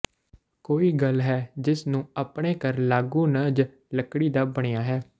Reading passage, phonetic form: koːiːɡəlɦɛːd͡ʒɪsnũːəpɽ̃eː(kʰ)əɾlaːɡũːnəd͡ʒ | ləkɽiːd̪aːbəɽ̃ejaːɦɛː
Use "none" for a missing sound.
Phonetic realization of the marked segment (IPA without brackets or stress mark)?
k